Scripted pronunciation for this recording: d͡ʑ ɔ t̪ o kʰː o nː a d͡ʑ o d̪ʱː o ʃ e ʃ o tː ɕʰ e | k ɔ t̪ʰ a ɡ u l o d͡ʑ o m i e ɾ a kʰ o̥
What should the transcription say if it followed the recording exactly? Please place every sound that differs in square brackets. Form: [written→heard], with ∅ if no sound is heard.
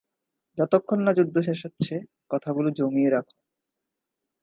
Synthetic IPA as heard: d͡ʑ ɔ t̪ o kʰː o nː a d͡ʑ [o→u] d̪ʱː o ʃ e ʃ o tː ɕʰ e | k ɔ t̪ʰ a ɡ u l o d͡ʑ o m i e ɾ a kʰ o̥